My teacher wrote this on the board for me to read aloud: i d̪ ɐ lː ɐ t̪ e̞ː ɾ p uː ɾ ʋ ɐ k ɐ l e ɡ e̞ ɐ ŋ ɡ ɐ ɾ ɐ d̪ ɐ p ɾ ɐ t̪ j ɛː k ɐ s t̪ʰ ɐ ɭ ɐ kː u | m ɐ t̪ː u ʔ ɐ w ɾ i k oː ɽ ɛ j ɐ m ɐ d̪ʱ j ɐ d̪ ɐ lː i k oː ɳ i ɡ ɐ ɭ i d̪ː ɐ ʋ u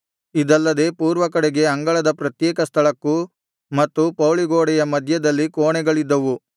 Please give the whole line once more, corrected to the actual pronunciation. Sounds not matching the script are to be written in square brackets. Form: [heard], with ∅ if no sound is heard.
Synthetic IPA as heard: i d̪ ɐ lː ɐ [d̪] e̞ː [∅] p uː ɾ ʋ ɐ k ɐ [ɽ] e ɡ e̞ ɐ ŋ ɡ ɐ [ɭ] ɐ d̪ ɐ p ɾ ɐ t̪ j ɛː k ɐ s t̪ʰ ɐ ɭ ɐ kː u | m ɐ t̪ː u [p] ɐ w [ɭ] i [ɡ] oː ɽ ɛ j ɐ m ɐ d̪ʱ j ɐ d̪ ɐ lː i k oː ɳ [ɛ] ɡ ɐ ɭ i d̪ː ɐ ʋ u